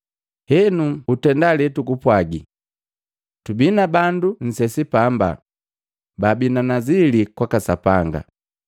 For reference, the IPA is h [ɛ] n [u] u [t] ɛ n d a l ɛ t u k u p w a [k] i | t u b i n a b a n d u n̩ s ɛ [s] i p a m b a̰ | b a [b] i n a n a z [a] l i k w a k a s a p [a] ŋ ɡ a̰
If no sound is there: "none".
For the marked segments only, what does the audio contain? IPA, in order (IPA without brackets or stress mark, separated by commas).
ɛ, u, t, ɡ, s, b, i, a